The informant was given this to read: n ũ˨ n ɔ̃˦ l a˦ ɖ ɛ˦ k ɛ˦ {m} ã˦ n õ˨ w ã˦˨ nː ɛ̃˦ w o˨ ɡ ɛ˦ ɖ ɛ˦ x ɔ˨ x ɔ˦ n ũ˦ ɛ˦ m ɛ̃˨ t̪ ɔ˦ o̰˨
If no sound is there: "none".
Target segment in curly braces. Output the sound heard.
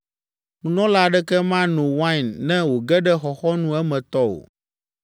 m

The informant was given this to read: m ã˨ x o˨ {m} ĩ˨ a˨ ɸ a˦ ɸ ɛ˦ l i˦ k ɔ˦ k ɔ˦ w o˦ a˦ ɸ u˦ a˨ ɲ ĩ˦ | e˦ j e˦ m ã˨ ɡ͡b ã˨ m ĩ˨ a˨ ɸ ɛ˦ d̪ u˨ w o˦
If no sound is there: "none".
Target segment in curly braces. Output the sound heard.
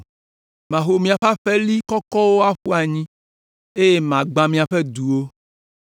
m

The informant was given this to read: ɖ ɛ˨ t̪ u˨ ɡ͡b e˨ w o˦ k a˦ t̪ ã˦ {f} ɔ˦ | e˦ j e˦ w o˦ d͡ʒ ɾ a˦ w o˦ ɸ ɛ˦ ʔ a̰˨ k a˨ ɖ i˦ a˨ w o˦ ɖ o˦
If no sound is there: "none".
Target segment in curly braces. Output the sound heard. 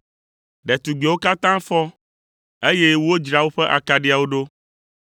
f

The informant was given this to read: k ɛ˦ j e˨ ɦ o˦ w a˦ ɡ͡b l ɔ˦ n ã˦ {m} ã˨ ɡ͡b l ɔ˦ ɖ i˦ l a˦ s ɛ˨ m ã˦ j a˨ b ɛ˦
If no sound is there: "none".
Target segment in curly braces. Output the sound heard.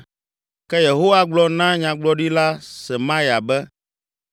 ɲ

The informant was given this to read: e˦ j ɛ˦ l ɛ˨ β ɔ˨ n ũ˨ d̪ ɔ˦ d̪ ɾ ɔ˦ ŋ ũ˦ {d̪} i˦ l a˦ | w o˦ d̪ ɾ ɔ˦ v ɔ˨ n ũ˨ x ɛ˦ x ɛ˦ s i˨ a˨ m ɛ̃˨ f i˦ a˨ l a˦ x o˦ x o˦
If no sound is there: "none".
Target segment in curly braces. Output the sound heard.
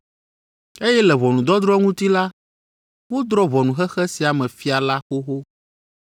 t̪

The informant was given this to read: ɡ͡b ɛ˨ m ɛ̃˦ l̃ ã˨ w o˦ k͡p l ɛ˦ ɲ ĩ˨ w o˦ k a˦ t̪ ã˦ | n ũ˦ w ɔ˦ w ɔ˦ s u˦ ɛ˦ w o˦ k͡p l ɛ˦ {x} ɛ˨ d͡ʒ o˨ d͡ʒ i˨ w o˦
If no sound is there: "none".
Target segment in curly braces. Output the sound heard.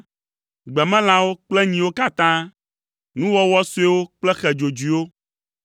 x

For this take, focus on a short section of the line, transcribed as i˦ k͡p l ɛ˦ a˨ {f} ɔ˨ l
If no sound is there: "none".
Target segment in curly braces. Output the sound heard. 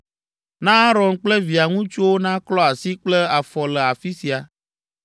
f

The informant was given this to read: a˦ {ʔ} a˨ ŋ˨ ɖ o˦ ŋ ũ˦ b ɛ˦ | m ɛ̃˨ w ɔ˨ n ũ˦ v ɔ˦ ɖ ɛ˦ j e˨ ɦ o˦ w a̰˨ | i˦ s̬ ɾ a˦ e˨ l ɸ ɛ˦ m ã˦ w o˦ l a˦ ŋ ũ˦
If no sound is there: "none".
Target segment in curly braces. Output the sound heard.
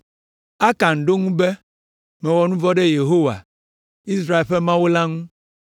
k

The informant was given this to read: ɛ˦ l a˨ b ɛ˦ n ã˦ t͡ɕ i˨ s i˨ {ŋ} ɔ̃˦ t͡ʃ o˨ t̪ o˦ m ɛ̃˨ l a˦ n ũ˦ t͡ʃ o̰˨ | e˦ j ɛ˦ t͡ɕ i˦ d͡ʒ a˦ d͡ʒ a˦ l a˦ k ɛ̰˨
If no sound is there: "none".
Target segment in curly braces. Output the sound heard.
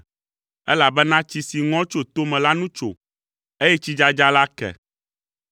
ŋ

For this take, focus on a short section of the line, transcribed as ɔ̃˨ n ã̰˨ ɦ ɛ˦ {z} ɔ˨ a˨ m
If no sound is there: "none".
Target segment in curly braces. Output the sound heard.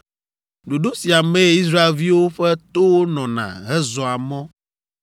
z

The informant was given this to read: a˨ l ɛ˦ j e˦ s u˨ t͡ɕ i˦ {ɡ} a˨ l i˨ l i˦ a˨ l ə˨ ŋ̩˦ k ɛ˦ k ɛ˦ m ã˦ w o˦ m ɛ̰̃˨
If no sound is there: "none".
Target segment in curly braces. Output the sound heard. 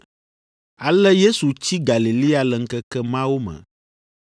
ɡ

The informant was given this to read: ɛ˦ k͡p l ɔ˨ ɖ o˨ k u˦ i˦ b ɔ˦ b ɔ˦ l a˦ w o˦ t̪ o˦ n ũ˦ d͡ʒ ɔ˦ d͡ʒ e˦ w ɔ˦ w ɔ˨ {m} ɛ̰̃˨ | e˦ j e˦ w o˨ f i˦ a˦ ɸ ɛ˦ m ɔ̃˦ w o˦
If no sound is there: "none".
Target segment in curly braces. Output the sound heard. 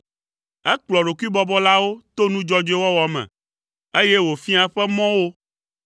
m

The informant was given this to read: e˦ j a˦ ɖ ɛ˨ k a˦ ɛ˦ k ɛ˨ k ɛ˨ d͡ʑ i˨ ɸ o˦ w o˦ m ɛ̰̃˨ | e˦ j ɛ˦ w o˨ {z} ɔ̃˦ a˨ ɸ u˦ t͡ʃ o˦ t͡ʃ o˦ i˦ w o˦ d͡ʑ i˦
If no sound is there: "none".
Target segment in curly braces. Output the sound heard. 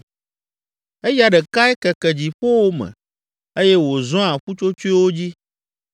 z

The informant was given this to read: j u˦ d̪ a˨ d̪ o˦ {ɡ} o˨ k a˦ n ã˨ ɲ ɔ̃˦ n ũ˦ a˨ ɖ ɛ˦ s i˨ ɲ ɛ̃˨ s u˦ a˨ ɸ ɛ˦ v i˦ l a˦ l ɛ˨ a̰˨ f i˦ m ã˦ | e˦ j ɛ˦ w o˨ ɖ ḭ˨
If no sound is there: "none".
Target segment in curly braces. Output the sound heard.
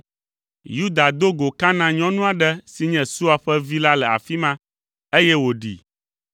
ɡ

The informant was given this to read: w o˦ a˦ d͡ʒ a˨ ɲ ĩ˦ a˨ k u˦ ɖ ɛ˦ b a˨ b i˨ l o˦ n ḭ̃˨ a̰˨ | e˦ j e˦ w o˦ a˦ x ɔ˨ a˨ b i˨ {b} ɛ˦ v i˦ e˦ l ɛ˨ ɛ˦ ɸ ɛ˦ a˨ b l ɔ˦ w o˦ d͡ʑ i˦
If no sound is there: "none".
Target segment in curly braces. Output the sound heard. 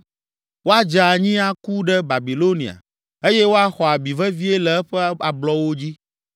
v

